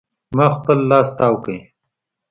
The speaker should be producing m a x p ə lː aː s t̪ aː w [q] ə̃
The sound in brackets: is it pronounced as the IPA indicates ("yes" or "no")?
no